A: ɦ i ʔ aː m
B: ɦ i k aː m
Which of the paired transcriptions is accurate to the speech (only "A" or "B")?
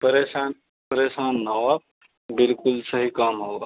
B